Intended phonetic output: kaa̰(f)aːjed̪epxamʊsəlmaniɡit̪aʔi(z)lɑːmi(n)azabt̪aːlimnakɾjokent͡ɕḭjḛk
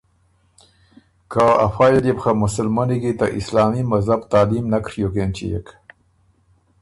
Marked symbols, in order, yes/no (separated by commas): yes, no, no